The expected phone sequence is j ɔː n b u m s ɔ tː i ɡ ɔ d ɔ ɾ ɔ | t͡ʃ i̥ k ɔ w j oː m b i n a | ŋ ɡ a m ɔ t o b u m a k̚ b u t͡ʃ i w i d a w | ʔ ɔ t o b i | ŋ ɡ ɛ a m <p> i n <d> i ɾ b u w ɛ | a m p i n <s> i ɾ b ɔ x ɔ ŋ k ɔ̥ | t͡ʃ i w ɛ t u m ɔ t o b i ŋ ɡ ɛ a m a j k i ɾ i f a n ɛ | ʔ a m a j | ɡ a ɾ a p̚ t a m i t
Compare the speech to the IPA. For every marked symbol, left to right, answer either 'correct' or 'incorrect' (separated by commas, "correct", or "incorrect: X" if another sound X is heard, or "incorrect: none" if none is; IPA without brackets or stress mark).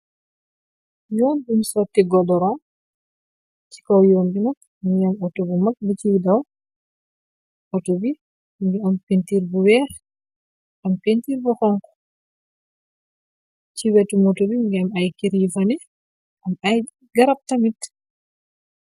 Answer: correct, incorrect: t, incorrect: t